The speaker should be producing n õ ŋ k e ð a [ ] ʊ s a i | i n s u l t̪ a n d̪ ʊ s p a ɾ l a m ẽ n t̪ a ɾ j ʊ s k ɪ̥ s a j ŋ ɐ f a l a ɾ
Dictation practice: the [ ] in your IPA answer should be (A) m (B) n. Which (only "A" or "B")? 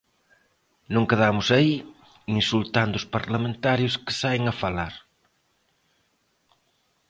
A